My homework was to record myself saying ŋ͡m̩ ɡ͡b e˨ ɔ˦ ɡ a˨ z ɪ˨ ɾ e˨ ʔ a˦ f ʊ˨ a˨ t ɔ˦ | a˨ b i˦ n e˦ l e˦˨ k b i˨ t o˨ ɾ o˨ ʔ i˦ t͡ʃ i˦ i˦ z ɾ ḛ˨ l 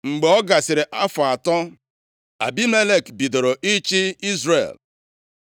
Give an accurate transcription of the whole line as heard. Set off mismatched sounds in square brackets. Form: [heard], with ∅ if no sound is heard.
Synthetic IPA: ŋ͡m̩ ɡ͡b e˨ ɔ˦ ɡ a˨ [s] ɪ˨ ɾ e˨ ʔ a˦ f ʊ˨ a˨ t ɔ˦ | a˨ b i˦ [m] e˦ l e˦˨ k b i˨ [d] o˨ ɾ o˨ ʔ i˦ t͡ʃ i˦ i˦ z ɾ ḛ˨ l

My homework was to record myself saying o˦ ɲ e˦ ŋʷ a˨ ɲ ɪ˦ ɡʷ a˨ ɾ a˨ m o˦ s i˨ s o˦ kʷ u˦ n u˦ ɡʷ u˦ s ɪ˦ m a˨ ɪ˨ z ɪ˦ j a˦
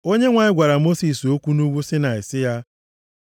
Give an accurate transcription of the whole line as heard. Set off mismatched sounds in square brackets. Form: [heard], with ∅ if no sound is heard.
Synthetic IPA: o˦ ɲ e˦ ŋʷ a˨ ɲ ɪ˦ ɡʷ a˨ ɾ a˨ m o˦ s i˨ s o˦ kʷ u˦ n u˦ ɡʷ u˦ s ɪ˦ [n] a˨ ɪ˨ [s] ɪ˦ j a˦

